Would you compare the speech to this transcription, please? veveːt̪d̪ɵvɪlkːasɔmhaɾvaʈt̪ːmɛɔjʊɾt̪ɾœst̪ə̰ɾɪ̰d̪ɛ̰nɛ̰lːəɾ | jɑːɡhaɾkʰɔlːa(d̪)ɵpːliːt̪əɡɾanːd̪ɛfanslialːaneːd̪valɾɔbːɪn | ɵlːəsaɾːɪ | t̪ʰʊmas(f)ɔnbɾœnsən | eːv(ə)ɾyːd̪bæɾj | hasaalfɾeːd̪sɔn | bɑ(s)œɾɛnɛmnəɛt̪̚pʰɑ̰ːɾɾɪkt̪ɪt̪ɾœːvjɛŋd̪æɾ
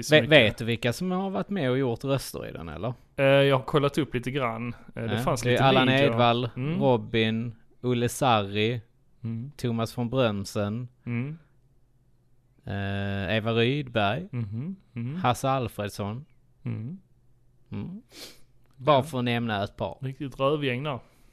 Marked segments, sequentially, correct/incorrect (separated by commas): incorrect, correct, incorrect, incorrect